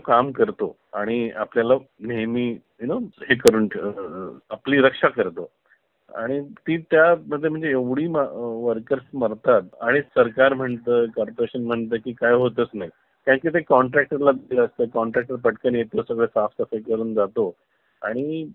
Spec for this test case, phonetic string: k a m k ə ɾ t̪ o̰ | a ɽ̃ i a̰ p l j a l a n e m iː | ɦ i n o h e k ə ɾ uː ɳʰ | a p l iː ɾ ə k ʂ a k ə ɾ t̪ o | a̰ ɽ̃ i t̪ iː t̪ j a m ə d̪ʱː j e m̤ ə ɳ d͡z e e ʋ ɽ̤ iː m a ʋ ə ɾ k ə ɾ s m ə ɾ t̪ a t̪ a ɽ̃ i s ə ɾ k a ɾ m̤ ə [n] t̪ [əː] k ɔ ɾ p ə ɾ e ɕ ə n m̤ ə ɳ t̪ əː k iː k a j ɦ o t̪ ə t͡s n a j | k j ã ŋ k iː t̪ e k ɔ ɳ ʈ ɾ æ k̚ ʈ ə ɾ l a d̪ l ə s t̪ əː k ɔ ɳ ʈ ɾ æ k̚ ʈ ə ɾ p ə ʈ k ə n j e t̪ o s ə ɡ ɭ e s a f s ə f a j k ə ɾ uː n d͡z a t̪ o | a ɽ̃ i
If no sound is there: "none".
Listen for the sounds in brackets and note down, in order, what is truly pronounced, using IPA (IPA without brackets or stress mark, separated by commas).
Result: ɳ, əː